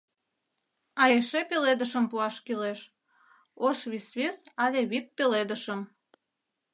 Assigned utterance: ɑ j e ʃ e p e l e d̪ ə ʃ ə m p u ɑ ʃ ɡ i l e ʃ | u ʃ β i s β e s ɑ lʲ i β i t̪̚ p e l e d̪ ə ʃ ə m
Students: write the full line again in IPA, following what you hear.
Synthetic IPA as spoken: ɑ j e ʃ e p e l e d̪ ə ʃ ə m p u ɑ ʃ k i l e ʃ | o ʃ β i s β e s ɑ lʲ e β i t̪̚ p e l e d̪ ə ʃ ə m